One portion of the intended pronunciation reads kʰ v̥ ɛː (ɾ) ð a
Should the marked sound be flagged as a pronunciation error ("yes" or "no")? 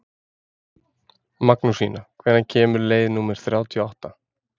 no